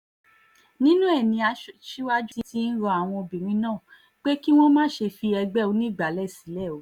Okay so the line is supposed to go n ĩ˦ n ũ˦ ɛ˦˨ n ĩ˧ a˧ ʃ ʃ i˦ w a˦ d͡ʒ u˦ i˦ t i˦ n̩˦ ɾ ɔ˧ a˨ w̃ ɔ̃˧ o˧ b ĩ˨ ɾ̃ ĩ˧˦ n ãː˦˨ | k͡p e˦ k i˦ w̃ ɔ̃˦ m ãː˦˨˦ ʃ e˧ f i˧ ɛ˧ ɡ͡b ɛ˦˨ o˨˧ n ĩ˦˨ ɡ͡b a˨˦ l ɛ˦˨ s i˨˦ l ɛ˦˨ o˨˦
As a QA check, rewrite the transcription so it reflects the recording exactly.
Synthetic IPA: n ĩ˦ n ũ˦ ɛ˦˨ n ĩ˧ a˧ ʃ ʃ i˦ w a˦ d͡ʒ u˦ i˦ t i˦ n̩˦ ɾ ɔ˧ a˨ w̃ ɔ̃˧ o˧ b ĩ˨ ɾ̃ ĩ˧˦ n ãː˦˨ | k͡p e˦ k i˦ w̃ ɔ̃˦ m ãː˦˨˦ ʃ e˧ f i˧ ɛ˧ ɡ͡b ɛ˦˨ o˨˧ n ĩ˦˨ ɡ͡b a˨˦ l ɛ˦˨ s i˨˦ l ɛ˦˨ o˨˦